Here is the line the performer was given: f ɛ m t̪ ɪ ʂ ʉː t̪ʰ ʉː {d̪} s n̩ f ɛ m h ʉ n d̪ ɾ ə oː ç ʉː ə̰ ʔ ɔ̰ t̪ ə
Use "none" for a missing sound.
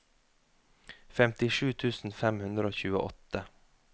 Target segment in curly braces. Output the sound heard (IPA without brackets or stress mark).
none